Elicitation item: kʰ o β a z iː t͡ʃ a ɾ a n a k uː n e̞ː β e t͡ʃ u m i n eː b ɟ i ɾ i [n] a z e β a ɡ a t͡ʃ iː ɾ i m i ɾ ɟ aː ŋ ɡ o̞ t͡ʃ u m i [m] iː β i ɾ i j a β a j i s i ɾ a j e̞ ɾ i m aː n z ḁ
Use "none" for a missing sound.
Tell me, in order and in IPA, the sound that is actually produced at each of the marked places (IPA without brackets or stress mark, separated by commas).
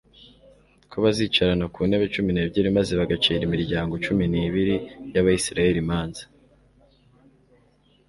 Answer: m, n